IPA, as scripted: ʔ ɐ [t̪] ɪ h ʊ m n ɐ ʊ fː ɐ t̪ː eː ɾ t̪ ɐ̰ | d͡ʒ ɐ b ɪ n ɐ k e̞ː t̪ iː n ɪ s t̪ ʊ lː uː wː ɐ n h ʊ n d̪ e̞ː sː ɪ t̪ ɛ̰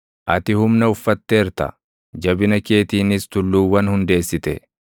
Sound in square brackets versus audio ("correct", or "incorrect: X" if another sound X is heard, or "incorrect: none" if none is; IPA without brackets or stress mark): correct